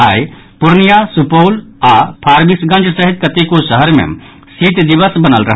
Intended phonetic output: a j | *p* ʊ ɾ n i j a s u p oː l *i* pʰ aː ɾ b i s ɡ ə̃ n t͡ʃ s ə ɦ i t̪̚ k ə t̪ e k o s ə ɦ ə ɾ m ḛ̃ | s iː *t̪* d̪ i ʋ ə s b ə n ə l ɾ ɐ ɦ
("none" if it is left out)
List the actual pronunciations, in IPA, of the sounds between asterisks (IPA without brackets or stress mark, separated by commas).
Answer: p, a, t̪